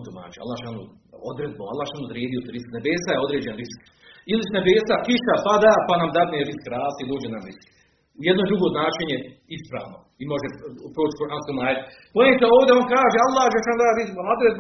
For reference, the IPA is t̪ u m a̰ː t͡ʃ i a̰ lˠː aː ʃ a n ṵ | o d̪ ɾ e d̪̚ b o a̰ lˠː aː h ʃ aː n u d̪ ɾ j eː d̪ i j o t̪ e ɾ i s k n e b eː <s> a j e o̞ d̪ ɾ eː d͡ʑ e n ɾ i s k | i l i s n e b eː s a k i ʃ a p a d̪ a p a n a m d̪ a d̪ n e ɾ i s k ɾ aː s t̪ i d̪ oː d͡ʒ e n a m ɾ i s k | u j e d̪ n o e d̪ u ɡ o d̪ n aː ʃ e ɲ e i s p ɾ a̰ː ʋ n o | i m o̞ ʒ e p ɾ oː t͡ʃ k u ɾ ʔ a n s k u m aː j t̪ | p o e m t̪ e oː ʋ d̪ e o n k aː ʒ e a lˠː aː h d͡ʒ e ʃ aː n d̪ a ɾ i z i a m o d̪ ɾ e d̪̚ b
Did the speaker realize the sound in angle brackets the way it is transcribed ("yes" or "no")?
yes